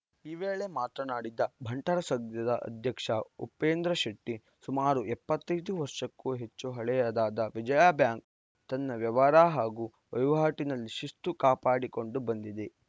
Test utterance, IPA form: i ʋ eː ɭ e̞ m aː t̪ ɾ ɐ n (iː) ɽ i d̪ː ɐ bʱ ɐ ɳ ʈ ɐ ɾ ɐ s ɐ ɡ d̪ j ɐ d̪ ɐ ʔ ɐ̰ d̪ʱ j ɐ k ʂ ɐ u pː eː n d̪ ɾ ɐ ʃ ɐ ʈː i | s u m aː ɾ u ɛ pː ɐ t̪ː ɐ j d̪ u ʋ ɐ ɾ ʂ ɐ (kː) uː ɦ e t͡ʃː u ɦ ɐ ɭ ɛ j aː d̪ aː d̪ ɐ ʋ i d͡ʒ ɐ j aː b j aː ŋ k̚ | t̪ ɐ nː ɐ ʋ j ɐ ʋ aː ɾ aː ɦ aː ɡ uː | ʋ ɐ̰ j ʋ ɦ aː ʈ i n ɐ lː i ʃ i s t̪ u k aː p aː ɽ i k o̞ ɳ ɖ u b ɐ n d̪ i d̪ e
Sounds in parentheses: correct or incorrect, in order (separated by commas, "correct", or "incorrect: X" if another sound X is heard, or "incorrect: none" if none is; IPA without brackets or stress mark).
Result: incorrect: aː, correct